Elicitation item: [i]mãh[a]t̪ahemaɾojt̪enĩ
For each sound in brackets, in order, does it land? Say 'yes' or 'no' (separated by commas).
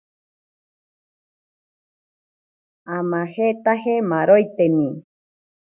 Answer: no, no